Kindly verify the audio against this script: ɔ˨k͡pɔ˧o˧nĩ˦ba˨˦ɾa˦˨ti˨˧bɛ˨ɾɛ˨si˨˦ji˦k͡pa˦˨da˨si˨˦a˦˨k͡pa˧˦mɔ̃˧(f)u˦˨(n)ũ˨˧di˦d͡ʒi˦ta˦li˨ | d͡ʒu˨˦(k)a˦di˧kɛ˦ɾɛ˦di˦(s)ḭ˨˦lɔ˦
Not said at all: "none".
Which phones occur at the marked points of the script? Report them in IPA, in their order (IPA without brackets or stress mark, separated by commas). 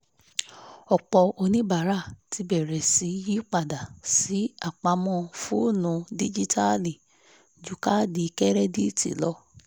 f, n, k, t